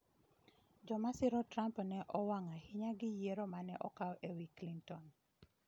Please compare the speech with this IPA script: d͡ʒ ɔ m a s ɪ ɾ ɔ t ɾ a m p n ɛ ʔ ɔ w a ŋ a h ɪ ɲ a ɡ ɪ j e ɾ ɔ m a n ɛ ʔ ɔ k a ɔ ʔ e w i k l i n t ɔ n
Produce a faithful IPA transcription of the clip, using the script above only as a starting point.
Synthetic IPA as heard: d͡ʒ ɔ m a s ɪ ɾ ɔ t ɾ a m p n ɛ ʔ ɔ w a ŋ a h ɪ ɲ a ɡ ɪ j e ɾ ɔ m a n ɛ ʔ ɔ k a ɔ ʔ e w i k l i n t ɔ n